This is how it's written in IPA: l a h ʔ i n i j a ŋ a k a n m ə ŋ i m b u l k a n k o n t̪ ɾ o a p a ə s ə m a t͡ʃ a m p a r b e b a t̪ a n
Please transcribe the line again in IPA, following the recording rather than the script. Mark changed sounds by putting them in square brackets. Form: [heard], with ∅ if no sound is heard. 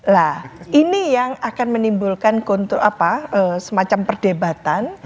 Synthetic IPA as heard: l a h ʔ i n i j a ŋ a k a n m ə [n] i m b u l k a n k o n t̪ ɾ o a p a ə s ə m a t͡ʃ a m p [ə] r [d] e b a t̪ a n